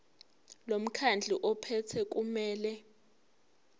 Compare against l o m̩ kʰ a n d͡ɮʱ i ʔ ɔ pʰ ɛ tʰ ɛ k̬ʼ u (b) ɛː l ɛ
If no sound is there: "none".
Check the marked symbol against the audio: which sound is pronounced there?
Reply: m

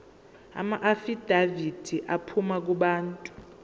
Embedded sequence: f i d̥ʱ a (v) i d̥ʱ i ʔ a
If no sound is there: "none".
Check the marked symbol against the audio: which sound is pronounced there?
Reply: v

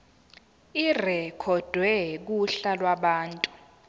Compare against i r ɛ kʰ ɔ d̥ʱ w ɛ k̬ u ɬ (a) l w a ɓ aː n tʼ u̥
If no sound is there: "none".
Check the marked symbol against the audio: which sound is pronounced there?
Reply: a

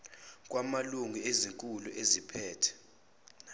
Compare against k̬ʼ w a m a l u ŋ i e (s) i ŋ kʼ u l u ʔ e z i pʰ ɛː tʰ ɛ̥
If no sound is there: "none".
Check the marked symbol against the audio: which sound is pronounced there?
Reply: z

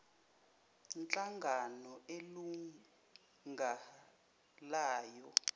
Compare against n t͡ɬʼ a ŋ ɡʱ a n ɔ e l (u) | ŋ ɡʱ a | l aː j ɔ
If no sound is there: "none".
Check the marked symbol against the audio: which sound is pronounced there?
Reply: u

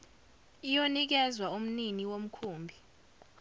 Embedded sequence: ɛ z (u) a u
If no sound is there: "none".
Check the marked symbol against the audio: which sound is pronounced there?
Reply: w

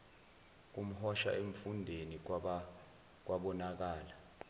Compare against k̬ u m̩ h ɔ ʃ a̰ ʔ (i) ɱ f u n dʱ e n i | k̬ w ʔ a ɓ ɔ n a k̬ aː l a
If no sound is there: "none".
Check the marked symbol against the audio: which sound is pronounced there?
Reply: e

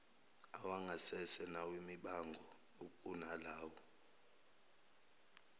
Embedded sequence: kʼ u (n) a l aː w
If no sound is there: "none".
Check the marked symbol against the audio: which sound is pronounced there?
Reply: n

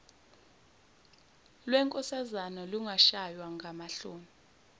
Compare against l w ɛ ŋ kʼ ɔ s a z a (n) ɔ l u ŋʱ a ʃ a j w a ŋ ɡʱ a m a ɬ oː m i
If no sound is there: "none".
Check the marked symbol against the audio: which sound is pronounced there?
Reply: n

